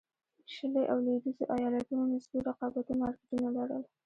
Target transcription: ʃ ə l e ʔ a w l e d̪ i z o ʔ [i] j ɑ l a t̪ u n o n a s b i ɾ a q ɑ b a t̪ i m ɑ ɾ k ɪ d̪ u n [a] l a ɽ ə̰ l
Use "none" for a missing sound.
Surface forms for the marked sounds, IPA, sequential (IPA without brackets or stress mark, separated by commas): a, a